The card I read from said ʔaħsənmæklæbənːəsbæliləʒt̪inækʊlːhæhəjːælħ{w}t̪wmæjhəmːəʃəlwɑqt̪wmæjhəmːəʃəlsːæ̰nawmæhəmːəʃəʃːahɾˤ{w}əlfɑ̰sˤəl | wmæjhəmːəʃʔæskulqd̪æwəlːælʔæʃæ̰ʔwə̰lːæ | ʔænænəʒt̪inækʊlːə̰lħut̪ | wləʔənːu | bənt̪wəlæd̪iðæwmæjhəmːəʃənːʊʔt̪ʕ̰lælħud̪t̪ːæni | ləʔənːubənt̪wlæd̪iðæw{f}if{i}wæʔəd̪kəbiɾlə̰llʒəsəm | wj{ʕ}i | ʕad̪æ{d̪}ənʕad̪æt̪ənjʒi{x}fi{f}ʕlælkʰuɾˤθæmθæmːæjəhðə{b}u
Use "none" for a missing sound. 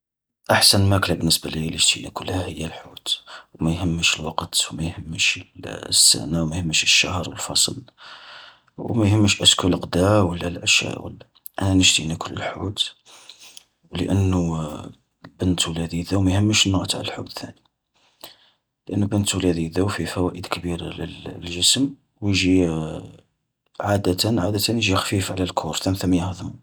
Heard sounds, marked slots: u, w, f, æ, ʒ, t̪, x, f, m

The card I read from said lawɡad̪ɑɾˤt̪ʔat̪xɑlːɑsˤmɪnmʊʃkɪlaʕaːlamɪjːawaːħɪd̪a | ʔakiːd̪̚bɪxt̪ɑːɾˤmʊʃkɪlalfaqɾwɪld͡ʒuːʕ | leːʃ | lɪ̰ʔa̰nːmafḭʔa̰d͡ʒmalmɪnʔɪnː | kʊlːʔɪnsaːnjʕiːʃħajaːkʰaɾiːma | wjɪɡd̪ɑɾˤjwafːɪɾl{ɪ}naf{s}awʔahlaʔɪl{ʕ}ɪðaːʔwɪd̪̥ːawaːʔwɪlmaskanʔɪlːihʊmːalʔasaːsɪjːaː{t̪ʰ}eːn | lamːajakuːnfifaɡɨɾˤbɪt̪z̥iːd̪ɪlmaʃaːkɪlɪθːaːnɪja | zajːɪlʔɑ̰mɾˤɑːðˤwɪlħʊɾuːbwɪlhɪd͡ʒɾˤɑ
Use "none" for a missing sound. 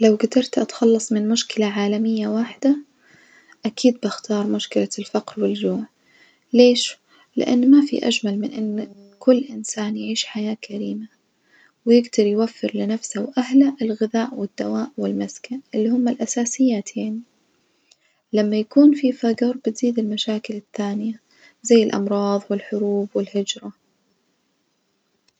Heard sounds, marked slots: ɪ, s, ɣ, t̪ʰ

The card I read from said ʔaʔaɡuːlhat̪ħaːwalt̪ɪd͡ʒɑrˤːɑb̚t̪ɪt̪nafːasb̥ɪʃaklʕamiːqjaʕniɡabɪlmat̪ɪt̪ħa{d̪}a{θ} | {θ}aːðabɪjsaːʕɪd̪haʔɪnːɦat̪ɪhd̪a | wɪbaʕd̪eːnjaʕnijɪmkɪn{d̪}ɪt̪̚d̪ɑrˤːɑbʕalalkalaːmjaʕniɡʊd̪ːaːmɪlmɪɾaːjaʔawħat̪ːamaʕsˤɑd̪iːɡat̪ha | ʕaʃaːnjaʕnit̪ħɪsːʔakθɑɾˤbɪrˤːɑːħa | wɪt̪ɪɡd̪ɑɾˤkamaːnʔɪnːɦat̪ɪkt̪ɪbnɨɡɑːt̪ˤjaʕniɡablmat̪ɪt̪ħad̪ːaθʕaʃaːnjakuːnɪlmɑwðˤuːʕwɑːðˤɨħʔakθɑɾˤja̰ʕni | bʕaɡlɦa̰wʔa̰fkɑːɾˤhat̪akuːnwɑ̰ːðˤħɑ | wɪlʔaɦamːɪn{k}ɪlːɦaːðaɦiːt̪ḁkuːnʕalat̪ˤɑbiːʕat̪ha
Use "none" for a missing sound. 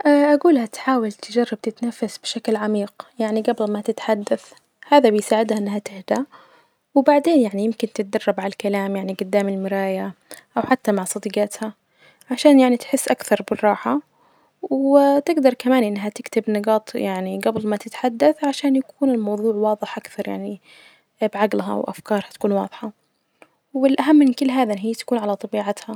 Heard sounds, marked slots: d̪ː, θ, h, t̪, k

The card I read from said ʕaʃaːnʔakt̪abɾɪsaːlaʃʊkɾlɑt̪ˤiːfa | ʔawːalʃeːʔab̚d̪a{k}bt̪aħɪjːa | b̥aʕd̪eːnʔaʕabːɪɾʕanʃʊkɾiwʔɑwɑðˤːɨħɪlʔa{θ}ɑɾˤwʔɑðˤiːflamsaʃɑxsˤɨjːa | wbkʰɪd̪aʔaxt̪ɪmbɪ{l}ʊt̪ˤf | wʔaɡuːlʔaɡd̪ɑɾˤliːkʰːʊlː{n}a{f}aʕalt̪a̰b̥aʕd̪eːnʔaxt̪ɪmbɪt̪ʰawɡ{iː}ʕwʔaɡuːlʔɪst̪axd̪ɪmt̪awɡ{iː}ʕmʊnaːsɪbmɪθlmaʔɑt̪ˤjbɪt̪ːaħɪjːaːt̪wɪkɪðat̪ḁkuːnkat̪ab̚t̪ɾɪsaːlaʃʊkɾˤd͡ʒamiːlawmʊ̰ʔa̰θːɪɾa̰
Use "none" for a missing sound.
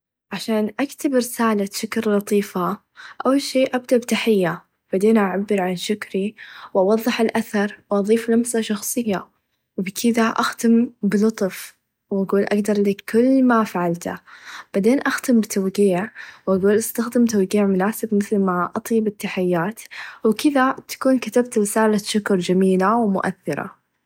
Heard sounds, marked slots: ʔ, θ, l, m, f, iː, iː

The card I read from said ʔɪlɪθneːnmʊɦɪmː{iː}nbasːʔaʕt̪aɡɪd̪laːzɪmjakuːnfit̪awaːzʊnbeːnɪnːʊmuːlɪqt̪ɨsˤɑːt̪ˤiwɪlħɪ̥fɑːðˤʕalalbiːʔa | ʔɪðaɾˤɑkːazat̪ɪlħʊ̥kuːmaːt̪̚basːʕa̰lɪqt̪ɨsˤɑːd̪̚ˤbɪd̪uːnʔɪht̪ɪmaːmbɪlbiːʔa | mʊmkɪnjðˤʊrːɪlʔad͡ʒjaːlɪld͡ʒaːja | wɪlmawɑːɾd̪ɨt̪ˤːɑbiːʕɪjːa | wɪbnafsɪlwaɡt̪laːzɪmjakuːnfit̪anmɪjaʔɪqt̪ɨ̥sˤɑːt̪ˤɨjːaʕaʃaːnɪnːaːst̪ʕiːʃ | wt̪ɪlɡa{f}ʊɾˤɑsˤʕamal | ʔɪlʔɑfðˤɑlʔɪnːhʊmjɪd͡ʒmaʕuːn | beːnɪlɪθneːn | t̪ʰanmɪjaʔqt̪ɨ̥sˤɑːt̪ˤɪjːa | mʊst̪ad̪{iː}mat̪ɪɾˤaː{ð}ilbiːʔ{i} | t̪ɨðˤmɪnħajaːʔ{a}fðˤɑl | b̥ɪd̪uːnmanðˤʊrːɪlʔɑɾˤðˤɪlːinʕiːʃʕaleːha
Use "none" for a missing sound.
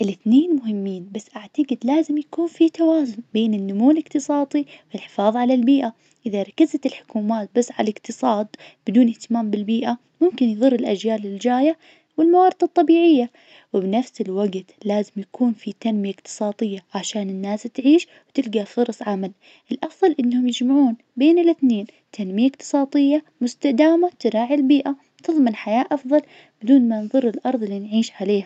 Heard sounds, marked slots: iː, f, aː, ʕ, a, ɑ

